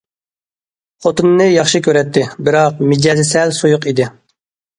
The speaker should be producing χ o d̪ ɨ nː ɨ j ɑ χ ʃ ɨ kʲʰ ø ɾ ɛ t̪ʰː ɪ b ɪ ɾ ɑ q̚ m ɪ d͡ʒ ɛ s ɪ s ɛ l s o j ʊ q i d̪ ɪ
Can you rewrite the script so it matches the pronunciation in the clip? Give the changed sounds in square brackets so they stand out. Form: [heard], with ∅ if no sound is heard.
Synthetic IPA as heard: χ o [t̪] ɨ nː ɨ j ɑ χ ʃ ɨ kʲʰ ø ɾ ɛ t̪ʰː ɪ b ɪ ɾ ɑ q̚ m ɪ d͡ʒ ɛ [z] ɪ s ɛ l s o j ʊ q i d̪ ɪ